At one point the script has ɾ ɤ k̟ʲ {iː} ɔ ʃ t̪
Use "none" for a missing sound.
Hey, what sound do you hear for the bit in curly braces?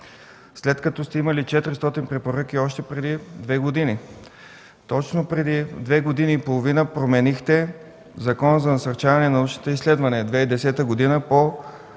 i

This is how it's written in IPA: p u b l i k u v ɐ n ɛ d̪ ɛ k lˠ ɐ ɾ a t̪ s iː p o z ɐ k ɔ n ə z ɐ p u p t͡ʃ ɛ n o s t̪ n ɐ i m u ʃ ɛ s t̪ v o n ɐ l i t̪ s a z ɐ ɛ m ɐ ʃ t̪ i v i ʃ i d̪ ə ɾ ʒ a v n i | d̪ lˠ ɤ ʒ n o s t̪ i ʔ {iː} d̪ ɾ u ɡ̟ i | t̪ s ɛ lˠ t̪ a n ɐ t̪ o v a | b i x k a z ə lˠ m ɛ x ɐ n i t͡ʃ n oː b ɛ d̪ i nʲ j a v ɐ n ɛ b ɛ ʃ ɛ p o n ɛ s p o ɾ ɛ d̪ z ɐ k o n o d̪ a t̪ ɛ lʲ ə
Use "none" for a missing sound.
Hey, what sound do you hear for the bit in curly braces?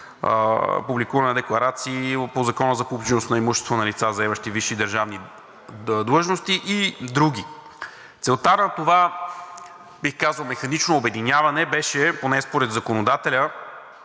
i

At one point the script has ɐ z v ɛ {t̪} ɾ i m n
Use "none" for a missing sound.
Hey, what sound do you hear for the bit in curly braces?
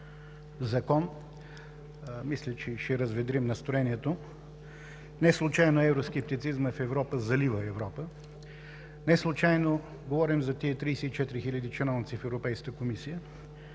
d̪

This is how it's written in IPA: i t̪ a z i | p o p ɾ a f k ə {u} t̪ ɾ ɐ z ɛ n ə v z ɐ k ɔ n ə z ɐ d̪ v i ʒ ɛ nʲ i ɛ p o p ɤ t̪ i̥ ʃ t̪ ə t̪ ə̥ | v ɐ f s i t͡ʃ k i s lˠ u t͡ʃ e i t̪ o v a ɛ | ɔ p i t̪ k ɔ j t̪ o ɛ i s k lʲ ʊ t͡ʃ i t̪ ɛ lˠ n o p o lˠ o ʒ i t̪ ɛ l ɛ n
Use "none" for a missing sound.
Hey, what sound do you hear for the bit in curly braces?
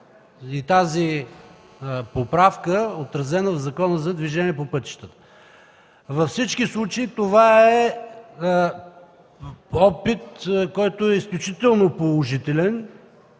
o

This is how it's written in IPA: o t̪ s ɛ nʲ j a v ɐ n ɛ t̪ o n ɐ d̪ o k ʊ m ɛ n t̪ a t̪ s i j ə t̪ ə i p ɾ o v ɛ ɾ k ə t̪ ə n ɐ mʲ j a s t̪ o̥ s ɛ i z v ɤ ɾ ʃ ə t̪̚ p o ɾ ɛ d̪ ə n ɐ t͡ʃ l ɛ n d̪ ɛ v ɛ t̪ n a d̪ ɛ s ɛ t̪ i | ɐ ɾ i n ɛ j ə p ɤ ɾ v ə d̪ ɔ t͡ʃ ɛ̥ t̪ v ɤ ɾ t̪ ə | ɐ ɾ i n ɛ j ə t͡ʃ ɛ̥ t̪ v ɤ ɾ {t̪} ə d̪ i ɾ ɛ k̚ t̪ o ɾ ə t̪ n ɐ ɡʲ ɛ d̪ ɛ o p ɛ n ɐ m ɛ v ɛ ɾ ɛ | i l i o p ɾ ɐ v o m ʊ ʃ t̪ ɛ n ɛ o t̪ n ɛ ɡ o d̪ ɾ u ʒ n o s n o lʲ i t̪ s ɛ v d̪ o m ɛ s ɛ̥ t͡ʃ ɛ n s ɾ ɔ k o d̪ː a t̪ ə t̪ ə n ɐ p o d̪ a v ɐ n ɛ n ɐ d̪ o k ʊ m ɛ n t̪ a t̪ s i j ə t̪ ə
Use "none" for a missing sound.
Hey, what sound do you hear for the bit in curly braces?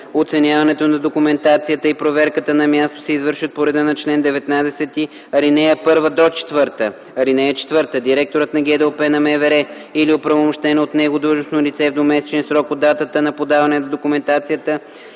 t̪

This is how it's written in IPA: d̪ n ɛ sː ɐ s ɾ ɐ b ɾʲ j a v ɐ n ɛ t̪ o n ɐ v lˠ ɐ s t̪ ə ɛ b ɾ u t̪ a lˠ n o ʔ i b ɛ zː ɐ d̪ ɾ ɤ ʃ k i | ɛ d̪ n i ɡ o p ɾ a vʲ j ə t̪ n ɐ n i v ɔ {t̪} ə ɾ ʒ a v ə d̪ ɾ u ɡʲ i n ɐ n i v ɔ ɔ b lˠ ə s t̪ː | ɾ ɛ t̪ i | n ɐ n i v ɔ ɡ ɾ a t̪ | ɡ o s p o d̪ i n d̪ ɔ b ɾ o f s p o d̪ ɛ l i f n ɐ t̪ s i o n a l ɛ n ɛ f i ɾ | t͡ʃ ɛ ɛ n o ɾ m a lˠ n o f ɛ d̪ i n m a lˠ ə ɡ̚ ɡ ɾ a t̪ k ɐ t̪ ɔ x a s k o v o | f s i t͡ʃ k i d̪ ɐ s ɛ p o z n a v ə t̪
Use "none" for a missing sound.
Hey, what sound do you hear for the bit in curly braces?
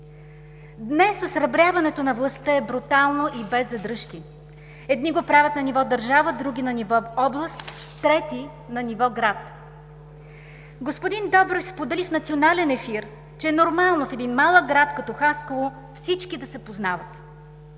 d̪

